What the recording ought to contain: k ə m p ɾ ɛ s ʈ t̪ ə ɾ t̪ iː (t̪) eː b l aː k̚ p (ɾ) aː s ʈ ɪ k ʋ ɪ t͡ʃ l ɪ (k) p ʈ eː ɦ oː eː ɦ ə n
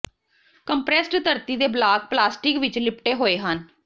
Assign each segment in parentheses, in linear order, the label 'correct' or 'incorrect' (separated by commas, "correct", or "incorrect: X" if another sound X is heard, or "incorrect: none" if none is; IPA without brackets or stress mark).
incorrect: d̪, incorrect: l, incorrect: none